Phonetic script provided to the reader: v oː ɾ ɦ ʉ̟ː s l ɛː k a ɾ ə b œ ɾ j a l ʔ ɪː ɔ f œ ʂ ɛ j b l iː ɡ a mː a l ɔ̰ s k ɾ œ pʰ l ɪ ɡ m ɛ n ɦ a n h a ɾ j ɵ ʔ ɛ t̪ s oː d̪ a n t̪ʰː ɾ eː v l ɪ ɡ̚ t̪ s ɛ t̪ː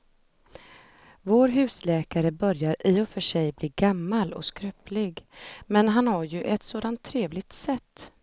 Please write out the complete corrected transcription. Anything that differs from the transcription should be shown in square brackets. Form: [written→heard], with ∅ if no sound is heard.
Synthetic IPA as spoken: v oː ɾ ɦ ʉ̟ː s l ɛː k a ɾ ə b œ ɾ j a [l→ɾ] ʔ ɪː ɔ f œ ʂ ɛ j b l iː ɡ a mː a l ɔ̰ s k ɾ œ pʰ l ɪ ɡ m ɛ n ɦ a n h a ɾ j ɵ ʔ ɛ t̪ s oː d̪ a n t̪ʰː ɾ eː v l ɪ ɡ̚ t̪ s ɛ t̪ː

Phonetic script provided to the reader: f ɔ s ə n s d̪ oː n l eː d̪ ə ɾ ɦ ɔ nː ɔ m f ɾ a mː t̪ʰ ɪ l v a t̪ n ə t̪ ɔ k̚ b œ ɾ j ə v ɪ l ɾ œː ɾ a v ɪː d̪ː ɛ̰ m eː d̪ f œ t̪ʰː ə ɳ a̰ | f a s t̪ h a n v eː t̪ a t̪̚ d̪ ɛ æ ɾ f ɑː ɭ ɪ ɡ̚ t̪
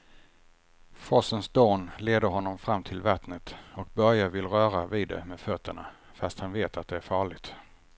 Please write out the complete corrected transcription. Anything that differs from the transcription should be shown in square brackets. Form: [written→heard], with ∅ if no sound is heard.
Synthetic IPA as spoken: f ɔ s ə n s d̪ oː n l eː d̪ ə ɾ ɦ ɔ nː ɔ m f ɾ a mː t̪ʰ ɪ l v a t̪ n ə t̪ ɔ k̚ b œ ɾ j [ə→a] v ɪ l ɾ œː ɾ a v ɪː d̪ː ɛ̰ m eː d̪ f œ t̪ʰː ə ɳ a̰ | f a s t̪ h a n v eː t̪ a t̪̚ d̪ ɛ æ ɾ f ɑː ɭ ɪ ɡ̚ t̪

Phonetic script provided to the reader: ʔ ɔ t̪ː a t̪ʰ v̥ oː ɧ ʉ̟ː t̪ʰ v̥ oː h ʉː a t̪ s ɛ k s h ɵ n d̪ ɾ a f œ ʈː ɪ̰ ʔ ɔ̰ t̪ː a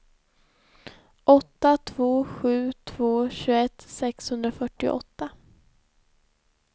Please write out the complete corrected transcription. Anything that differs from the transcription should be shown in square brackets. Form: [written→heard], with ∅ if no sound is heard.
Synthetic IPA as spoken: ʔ ɔ t̪ː a t̪ʰ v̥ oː ɧ ʉ̟ː t̪ʰ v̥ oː [h→ɕ] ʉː [a→ɛ] t̪ s ɛ k s h ɵ n d̪ ɾ a f œ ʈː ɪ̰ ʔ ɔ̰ t̪ː a

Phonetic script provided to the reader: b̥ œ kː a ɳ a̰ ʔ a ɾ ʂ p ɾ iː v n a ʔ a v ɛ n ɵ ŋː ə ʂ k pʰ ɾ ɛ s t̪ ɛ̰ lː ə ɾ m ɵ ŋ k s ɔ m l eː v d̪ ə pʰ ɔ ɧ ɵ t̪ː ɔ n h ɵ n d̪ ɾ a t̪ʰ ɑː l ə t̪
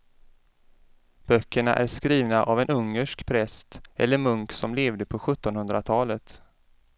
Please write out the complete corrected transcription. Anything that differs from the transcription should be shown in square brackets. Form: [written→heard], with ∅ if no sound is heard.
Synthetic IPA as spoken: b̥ œ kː [a→ə] ɳ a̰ ʔ [a→æ] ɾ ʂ [p→k] ɾ iː v n a ʔ a v ɛ n ɵ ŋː ə ʂ k pʰ ɾ ɛ s t̪ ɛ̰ lː ə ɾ m ɵ ŋ k s ɔ m l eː v d̪ ə pʰ ɔ ɧ ɵ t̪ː ɔ n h ɵ n d̪ ɾ a t̪ʰ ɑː l ə t̪

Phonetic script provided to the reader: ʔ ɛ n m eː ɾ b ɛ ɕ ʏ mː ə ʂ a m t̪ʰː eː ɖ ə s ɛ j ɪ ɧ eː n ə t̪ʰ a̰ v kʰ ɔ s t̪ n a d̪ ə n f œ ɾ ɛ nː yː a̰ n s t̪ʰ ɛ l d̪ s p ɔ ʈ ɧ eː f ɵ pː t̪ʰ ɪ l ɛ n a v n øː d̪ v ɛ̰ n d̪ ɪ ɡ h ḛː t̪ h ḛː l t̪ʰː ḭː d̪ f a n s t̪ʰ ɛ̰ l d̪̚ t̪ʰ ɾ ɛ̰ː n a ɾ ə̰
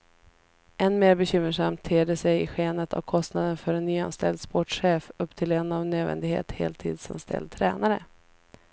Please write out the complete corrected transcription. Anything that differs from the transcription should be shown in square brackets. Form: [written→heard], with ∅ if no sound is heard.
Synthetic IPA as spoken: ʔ ɛ n m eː ɾ b ɛ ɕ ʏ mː ə ʂ a m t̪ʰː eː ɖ ə s ɛ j ɪ ɧ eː n ə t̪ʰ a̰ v kʰ ɔ s t̪ n a d̪ ə n f œ ɾ ɛ nː yː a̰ n s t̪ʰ ɛ l d̪ s p ɔ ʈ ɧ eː f ɵ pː t̪ʰ ɪ l ɛ n a v n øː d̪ v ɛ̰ n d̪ ɪ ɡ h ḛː t̪ h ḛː l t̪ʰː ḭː d̪ [f→s] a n s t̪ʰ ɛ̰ l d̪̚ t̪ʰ ɾ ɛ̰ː n a ɾ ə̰

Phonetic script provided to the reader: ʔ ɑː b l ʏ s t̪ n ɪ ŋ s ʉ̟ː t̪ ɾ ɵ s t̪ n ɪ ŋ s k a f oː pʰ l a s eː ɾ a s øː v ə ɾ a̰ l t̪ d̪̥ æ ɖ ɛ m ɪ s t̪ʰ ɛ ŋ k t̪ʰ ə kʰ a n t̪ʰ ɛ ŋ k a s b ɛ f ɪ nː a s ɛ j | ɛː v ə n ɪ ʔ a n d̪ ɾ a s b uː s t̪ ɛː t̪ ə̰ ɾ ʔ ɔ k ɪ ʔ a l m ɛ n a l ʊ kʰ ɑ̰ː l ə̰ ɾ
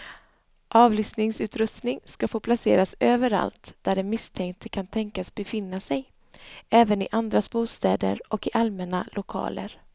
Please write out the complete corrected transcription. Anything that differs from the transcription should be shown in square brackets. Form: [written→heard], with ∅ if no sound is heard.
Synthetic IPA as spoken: ʔ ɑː [b→v] l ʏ s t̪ n ɪ ŋ s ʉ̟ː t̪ ɾ ɵ s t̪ n ɪ ŋ s k a f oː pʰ l a s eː ɾ a s øː v ə ɾ a̰ l t̪ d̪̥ æ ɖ ɛ m ɪ s t̪ʰ ɛ ŋ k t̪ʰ ə kʰ a n t̪ʰ ɛ ŋ k a s b ɛ f ɪ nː a s ɛ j | ɛː v ə n ɪ ʔ a n d̪ ɾ a s b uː s t̪ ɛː [t̪→d̪] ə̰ ɾ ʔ ɔ k ɪ ʔ a l m ɛ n a l ʊ kʰ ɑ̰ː l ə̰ ɾ

